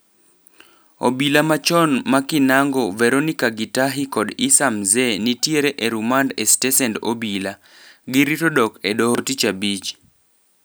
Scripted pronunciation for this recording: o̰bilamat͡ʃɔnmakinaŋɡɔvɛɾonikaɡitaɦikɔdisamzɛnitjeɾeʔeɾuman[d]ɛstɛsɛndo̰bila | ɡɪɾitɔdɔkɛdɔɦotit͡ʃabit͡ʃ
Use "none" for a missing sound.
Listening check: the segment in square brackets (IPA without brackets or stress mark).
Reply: d